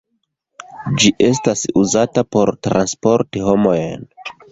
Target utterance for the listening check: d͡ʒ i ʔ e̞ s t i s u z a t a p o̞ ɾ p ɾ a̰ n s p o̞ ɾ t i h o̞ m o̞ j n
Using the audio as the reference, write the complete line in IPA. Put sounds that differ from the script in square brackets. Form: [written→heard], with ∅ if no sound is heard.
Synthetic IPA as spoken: d͡ʒ i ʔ e̞ s t [i→a] s u z a t a p o̞ ɾ [p→t] ɾ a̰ n s p o̞ ɾ t i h o̞ m o̞ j n